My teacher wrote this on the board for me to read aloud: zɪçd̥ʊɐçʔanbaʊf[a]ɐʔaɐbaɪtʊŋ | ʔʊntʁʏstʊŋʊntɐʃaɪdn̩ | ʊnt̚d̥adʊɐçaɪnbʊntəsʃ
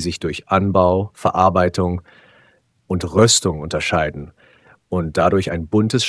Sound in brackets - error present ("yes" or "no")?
yes